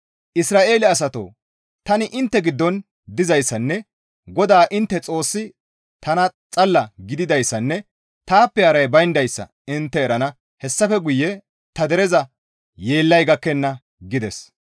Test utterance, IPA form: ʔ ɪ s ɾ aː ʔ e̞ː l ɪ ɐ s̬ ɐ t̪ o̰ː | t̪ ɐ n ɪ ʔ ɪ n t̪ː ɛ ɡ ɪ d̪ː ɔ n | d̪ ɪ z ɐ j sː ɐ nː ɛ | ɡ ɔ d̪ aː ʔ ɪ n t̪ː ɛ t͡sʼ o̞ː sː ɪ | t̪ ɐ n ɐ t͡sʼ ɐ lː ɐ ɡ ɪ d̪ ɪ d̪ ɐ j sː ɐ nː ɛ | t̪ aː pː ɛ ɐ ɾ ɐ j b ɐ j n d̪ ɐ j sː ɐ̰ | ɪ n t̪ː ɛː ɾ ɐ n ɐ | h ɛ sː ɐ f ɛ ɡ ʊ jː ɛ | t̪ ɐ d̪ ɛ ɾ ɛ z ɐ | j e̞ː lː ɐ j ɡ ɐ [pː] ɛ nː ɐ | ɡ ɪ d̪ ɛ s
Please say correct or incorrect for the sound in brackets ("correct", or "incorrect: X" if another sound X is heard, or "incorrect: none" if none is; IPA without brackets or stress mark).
incorrect: kː